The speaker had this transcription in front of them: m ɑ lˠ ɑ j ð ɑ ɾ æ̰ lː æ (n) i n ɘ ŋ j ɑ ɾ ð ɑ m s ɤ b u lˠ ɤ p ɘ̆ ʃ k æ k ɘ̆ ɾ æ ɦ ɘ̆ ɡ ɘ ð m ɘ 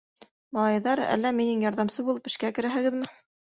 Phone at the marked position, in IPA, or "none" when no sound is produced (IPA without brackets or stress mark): m